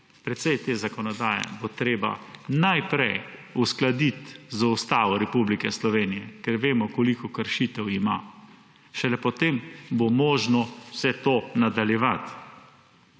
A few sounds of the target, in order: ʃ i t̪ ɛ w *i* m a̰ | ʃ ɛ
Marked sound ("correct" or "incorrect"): correct